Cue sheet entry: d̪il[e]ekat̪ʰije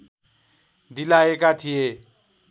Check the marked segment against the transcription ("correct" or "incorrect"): incorrect